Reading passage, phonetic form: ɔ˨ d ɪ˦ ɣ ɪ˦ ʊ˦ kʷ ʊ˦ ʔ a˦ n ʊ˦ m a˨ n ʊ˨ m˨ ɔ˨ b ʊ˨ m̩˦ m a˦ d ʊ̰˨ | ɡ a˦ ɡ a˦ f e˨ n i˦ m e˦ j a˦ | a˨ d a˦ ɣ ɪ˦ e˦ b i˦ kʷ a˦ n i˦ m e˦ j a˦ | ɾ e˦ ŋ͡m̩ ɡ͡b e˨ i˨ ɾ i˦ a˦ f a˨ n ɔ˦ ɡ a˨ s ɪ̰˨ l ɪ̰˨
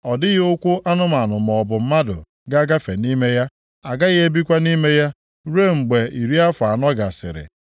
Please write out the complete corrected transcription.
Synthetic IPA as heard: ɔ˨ d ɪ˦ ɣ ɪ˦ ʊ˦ kʷ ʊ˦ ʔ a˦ n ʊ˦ m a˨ n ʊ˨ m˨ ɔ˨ b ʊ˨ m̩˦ m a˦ d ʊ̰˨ | ɡ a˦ ɡ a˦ f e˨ n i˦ m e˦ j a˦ | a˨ ɡ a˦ ɣ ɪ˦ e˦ b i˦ kʷ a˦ n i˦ m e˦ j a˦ | ɾ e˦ ŋ͡m̩ ɡ͡b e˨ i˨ ɾ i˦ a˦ f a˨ n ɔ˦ ɡ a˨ s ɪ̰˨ ɾ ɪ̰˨